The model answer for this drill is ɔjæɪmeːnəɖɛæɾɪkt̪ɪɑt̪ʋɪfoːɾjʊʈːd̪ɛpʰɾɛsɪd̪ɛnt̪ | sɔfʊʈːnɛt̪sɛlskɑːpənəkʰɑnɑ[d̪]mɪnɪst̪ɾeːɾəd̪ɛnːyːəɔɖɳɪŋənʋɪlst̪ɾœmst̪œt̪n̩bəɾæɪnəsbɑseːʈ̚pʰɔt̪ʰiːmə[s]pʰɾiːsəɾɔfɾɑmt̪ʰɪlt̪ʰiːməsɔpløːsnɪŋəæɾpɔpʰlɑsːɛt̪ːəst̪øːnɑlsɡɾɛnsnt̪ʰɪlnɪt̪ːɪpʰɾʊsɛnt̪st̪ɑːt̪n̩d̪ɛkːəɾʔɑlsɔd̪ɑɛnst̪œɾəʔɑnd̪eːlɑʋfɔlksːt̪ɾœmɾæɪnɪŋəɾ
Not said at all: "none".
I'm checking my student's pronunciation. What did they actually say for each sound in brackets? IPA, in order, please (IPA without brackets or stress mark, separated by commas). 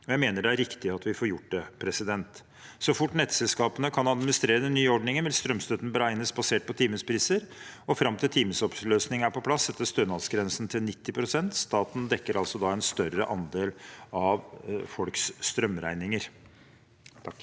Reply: d̪, s